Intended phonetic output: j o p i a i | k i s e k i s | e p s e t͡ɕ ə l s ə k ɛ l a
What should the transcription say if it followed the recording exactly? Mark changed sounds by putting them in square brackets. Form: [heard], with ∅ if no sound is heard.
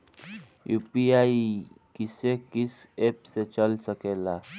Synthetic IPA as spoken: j [u] p i a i | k i s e k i s | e p s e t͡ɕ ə l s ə k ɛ l a